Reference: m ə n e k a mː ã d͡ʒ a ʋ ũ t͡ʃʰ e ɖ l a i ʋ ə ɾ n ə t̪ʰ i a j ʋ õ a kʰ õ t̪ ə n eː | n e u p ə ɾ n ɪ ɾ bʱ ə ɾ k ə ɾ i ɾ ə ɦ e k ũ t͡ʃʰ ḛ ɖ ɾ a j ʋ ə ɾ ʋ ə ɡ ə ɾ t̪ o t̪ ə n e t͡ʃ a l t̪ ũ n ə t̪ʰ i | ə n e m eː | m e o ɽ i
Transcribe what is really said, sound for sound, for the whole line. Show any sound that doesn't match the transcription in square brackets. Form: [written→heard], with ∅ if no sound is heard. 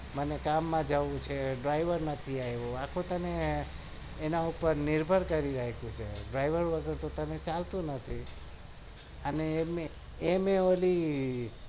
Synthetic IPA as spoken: m ə n e k a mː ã d͡ʒ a ʋ ũ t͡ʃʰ e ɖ [l→ɾ] a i ʋ ə ɾ n ə t̪ʰ i a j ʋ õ a kʰ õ t̪ ə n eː | n [e→a] u p ə ɾ n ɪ ɾ bʱ ə ɾ k ə ɾ i ɾ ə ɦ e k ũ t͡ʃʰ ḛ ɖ ɾ a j ʋ ə ɾ ʋ ə ɡ ə ɾ t̪ o t̪ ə n e t͡ʃ a l t̪ ũ n ə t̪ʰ i | ə n e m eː | m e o [ɽ→l] i